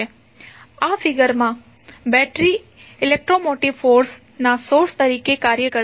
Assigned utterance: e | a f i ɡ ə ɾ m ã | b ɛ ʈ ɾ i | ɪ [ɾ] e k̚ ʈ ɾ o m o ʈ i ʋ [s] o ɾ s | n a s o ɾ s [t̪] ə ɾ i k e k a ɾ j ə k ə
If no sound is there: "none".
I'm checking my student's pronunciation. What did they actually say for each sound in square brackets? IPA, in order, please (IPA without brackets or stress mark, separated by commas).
l, f, t̪